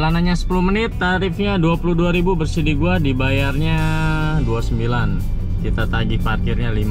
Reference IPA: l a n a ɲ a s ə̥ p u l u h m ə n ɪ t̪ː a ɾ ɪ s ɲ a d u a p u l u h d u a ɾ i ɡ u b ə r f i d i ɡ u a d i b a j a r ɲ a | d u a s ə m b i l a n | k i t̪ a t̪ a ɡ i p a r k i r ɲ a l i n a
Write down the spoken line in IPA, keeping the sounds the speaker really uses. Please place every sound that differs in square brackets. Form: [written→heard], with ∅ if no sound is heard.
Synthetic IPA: l a n a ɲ a s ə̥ p u l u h m ə n ɪ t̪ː a ɾ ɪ [s→f] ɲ a d u a p u l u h d u a ɾ i [ɡ→b] u b ə r [f→s] i d i ɡ u a d i b a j a r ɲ a | d u a s ə m b i l a n | k i t̪ a t̪ a ɡ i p a r k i r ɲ a l i [n→m] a